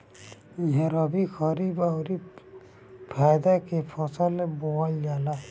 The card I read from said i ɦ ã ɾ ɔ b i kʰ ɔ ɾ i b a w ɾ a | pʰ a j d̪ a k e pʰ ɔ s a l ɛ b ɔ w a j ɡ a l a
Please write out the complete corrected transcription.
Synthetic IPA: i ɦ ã ɾ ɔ b i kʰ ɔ ɾ i b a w ɾ i | pʰ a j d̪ a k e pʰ ɔ s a l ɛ b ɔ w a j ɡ a l a

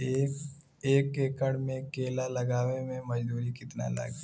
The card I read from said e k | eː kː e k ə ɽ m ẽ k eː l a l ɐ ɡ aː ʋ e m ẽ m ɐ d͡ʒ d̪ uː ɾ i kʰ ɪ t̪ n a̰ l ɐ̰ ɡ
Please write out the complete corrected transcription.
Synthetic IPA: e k | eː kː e k ə ɽ m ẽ k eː l a l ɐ ɡ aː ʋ e m ẽ m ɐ d͡ʒ d̪ uː ɾ i k ɪ t̪ n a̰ l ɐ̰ ɡ

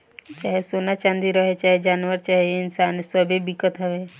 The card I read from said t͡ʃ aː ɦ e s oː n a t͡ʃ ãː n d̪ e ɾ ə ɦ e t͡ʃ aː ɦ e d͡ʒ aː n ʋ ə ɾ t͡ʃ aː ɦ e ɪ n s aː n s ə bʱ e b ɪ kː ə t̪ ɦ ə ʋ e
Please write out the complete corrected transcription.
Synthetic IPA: t͡ʃ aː ɦ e s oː n a t͡ʃ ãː n d̪ i ɾ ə ɦ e t͡ʃ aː ɦ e d͡ʒ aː n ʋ ə ɾ t͡ʃ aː ɦ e ɪ n s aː n s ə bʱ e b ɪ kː ə t̪ ɦ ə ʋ e

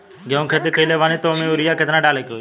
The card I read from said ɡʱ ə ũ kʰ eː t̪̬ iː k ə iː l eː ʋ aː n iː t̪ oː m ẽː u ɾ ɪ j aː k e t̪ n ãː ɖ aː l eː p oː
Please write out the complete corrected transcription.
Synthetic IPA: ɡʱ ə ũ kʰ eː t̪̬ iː k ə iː l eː ʋ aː n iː t̪ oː m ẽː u ɾ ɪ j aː k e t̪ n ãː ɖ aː l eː k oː

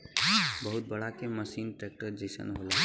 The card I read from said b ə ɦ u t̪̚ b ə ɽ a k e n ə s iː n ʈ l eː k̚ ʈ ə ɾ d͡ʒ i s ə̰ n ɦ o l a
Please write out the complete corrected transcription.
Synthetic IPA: b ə ɦ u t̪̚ b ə ɽ a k e m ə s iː n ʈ ɾ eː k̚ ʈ ə ɾ d͡ʒ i s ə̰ n ɦ o l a

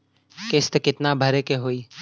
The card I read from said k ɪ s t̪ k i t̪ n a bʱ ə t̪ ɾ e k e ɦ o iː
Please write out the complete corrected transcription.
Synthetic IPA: k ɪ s t̪ k ɪ t̪ n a bʱ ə ɾ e k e ɦ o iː

